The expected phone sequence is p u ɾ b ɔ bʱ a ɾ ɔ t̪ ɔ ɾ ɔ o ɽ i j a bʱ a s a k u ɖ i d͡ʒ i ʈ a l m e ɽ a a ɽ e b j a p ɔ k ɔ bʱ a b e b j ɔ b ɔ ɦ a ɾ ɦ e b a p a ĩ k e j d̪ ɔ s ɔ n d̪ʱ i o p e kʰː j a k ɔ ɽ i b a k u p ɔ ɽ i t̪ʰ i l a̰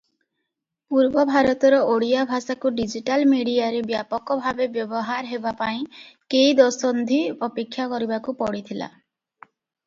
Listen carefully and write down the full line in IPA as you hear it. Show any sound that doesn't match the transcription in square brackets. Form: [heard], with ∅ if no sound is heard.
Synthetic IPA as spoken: p u ɾ b ɔ bʱ a ɾ ɔ t̪ ɔ ɾ ɔ o ɽ i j a bʱ a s a k u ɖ i d͡ʒ i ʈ a l m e ɽ [i] a [ɾ] e b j a p ɔ k ɔ bʱ a b e b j ɔ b ɔ ɦ a ɾ ɦ e b a p a ĩ k e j d̪ ɔ s ɔ n d̪ʱ i [ɔ] p e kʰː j a k ɔ [ɾ] i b a k u p ɔ ɽ i t̪ʰ i l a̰